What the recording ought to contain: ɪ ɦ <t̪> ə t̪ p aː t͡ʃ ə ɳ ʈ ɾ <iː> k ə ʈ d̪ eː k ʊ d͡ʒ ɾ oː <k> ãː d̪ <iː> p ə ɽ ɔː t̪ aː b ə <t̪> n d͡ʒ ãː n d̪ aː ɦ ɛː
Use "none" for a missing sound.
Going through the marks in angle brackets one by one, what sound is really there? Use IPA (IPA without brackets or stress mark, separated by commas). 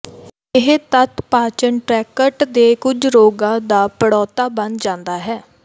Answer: t̪, ɛː, ɡ, aː, none